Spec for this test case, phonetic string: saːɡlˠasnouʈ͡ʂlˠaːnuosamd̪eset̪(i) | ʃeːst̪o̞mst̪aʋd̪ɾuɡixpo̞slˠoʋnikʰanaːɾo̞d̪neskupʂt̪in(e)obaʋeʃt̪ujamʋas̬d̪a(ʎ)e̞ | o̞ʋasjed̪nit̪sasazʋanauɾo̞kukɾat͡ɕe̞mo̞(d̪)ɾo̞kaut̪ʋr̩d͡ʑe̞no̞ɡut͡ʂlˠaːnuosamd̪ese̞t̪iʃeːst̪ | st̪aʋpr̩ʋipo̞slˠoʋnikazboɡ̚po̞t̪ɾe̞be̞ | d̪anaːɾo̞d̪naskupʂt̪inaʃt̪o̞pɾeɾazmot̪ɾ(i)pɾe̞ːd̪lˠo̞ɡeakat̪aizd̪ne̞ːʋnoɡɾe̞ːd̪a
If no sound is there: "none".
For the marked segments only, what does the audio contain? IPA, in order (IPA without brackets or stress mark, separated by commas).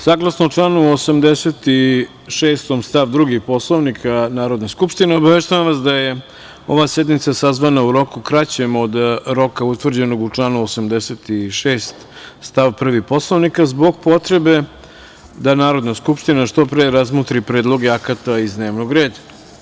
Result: i, e, j, d̪, i